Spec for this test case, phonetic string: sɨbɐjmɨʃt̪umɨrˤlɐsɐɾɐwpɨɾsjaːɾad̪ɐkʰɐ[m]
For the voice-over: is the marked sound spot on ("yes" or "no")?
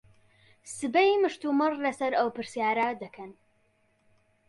no